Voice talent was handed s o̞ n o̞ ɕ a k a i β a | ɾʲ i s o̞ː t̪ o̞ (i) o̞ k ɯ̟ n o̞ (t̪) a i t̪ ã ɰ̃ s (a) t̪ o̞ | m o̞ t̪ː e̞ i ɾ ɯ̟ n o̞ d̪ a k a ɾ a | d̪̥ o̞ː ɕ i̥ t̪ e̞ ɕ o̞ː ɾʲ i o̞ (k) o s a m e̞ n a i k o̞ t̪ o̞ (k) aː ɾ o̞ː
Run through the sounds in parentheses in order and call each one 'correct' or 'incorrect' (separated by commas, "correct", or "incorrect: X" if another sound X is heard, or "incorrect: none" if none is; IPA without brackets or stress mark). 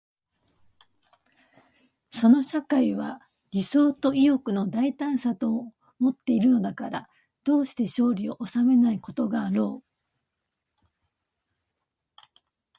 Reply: correct, incorrect: d̪, correct, incorrect: ʔ, incorrect: ɡ